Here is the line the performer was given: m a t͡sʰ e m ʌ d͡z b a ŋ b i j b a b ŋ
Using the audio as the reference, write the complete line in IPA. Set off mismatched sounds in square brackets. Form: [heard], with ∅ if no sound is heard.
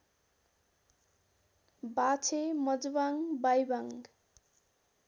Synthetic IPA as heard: [b] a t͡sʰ e m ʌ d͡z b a ŋ b [a] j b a [∅] ŋ